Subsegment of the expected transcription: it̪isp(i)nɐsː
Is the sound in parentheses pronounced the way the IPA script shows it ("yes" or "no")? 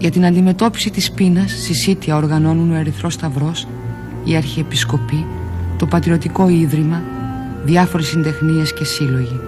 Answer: yes